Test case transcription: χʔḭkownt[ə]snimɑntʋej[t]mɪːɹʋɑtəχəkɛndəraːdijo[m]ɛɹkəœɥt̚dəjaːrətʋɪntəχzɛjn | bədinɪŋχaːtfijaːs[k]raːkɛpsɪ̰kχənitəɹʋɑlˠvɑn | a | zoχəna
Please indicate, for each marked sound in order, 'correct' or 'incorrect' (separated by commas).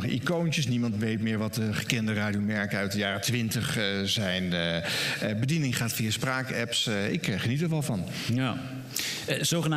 correct, correct, correct, incorrect